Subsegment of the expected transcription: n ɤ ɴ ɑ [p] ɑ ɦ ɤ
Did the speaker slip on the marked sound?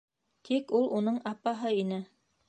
no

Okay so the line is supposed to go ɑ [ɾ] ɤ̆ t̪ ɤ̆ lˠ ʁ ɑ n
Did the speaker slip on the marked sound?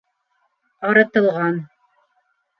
no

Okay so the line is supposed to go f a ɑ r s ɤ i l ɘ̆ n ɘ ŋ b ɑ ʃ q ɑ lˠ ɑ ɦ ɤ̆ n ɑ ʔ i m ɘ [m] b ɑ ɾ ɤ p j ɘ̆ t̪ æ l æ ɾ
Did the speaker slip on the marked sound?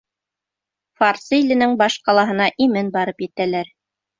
yes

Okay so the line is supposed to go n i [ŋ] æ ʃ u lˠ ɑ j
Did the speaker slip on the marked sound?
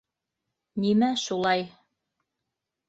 yes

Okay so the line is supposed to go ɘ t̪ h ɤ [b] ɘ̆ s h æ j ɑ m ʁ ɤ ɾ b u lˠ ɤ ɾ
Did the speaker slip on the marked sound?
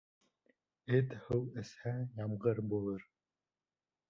yes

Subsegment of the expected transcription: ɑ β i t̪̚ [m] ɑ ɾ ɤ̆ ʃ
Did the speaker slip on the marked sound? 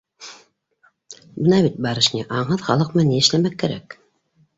yes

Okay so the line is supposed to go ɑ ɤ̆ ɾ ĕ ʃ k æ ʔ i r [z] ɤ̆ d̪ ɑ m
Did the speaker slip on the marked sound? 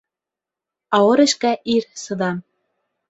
yes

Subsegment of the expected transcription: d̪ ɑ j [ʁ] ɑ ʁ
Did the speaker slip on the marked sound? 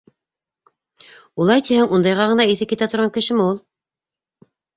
no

